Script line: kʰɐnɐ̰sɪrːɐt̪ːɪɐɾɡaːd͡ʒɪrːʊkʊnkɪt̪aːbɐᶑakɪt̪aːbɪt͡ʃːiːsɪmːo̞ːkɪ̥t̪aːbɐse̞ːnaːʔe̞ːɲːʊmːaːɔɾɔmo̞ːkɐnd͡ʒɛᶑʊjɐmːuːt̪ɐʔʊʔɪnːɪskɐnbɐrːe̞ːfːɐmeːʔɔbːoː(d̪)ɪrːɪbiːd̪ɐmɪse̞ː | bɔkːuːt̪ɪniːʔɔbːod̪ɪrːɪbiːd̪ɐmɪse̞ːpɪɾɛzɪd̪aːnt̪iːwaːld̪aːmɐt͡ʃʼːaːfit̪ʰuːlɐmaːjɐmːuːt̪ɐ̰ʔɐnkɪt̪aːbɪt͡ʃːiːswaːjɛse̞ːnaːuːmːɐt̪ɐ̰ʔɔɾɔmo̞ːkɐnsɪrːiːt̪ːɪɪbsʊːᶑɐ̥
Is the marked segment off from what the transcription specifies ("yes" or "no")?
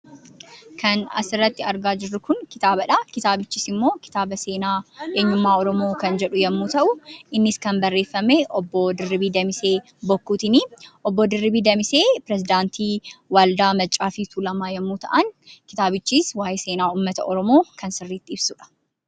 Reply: no